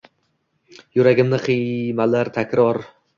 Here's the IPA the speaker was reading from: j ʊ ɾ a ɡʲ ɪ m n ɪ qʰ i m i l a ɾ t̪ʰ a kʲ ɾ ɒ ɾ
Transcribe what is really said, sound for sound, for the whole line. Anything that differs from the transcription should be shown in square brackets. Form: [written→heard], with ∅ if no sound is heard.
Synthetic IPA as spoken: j ʊ ɾ a ɡʲ ɪ m n ɪ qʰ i m [i→a] l a ɾ t̪ʰ a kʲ ɾ ɒ ɾ